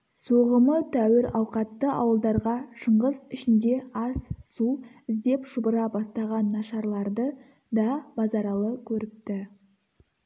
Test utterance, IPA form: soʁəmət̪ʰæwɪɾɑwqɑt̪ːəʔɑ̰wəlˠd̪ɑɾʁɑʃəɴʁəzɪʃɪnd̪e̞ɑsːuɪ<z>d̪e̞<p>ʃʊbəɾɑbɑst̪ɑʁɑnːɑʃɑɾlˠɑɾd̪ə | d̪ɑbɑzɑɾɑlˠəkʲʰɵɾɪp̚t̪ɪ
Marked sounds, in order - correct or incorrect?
correct, correct

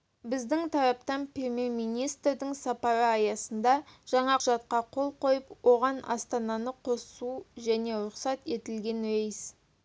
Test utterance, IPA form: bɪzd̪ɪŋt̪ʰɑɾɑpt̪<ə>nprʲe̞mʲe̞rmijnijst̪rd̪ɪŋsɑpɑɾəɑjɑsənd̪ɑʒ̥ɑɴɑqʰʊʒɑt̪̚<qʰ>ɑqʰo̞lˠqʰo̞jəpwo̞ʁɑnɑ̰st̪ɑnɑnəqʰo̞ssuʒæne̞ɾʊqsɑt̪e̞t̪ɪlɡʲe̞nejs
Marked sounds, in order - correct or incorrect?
incorrect, incorrect

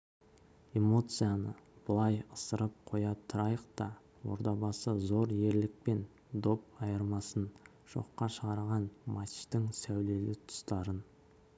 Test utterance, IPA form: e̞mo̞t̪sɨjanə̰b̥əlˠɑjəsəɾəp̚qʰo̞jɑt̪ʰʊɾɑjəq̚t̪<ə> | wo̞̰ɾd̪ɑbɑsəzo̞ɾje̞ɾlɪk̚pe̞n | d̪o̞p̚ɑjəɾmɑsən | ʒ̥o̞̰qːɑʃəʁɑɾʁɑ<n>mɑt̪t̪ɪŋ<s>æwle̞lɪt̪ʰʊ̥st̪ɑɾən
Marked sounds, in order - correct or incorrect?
incorrect, correct, correct

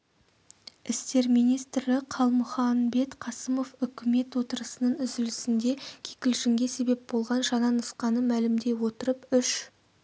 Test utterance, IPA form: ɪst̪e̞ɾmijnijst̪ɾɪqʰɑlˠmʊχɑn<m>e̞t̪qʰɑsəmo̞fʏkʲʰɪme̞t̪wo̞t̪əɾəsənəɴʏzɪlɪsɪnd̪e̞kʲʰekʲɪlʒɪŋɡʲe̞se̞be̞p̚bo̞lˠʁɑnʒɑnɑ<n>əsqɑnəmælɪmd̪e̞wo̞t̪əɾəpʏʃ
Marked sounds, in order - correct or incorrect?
incorrect, correct

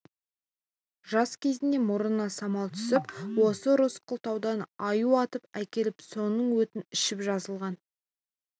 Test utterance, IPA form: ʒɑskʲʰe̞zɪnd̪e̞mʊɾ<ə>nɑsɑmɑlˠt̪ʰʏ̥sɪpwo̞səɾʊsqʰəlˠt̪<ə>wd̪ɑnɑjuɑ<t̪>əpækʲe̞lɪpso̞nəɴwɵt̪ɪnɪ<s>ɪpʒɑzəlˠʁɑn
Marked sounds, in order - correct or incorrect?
correct, incorrect, correct, incorrect

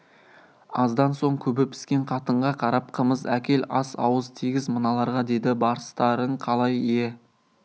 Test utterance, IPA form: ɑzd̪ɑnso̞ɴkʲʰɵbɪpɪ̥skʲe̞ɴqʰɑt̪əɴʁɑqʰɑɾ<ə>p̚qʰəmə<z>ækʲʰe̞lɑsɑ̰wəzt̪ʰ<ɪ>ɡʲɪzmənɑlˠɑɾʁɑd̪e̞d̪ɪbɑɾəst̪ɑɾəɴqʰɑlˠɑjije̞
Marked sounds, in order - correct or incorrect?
incorrect, correct, incorrect

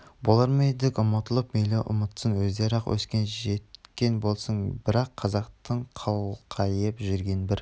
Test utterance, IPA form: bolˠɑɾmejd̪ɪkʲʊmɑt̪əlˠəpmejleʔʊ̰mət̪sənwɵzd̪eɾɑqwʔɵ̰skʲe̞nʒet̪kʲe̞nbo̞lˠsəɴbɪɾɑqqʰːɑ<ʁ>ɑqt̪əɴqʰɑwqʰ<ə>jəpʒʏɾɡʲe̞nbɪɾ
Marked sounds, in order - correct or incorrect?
incorrect, incorrect

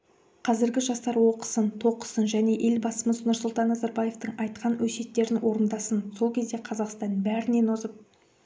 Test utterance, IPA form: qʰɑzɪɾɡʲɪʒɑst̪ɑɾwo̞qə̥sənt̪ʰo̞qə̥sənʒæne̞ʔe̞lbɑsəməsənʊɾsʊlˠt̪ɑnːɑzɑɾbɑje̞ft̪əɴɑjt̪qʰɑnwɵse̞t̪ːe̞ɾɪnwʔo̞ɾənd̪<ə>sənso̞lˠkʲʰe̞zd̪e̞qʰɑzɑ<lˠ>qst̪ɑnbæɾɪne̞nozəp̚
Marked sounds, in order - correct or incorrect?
incorrect, incorrect

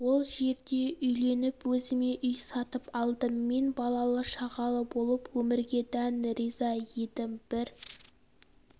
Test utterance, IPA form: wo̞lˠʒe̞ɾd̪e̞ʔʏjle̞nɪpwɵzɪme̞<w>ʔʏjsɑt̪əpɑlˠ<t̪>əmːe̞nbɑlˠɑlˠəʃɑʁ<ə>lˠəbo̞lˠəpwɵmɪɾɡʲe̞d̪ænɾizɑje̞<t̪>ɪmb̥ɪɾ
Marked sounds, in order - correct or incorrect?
incorrect, incorrect, incorrect, incorrect

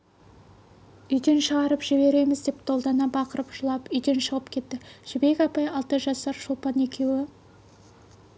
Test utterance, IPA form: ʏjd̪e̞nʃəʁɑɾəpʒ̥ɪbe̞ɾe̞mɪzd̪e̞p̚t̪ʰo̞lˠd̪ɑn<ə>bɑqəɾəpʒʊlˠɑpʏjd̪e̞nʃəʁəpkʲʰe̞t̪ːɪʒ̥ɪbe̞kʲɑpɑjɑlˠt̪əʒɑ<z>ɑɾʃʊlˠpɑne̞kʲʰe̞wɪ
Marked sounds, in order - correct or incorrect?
incorrect, incorrect

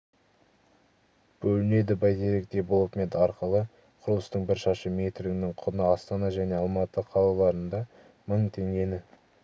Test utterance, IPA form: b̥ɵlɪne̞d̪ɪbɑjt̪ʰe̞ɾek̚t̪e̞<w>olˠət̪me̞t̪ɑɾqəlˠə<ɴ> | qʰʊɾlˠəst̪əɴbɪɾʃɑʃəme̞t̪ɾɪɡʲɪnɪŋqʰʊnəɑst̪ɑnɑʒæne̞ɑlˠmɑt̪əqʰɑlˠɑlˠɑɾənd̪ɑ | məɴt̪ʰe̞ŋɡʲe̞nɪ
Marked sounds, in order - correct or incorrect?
incorrect, incorrect

